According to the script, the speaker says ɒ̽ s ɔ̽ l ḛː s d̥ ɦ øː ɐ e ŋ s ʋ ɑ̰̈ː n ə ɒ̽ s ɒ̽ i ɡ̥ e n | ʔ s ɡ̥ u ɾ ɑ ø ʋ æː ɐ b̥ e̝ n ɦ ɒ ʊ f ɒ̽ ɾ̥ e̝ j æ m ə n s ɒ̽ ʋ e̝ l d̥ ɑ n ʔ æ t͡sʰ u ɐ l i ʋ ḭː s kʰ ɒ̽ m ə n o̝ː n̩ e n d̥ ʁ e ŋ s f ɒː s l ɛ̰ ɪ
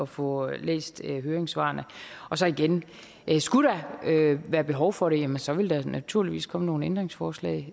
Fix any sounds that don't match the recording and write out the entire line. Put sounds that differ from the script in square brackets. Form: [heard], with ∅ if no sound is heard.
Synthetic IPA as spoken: ɒ̽ [f] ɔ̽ l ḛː s d̥ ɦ øː ɐ e ŋ s ʋ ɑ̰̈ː n ə ɒ̽ s ɒ̽ i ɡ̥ e n | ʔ s ɡ̥ u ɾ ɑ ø ʋ æː ɐ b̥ e̝ [∅] ɦ ɒ ʊ f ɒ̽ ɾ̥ e̝ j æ m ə n s ɒ̽ ʋ e̝ l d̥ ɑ n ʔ æ t͡sʰ u ɐ l i ʋ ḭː s kʰ ɒ̽ m ə n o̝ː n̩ e n d̥ ʁ e ŋ s f ɒː s l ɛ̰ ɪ